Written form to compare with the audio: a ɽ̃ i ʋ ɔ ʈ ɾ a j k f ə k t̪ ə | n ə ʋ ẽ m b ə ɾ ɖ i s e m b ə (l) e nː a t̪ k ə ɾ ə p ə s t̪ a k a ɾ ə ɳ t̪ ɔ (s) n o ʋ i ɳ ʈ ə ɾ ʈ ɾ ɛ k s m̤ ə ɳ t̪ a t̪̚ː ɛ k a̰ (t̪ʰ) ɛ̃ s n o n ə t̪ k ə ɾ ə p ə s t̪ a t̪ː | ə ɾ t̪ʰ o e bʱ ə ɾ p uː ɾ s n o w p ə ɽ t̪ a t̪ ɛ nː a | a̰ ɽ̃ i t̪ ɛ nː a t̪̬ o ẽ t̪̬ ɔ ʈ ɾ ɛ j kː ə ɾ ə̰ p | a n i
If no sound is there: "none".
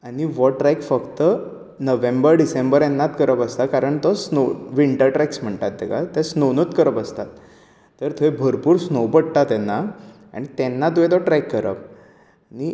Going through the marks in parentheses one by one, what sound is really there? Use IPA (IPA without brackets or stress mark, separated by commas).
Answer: ɾ, s, t̪